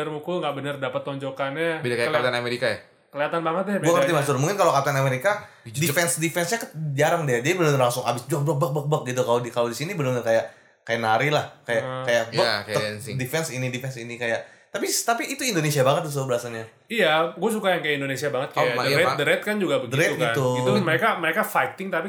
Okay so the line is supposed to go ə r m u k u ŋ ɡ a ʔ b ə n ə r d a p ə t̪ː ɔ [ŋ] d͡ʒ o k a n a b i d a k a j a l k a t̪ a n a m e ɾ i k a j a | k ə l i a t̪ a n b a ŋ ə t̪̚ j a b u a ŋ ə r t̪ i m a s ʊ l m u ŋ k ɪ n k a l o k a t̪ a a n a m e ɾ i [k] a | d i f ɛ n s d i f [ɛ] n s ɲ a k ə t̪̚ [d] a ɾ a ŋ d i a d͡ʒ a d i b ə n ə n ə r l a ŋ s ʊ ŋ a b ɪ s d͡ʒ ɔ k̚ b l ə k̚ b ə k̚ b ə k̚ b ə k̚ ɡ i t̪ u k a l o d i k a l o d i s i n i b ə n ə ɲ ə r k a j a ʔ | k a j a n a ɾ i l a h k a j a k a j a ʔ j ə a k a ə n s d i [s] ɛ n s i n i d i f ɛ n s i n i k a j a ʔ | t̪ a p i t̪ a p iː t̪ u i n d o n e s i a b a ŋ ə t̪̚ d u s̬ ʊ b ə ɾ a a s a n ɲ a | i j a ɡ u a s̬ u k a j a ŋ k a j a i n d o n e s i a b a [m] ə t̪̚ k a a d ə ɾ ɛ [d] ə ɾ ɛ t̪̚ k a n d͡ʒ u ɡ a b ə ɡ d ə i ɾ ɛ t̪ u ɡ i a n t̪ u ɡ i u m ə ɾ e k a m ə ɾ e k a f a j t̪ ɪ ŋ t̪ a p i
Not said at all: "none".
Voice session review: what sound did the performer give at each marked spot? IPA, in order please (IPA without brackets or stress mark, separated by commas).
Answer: ɲ, k, ɛ, d͡ʒ, f, ŋ, d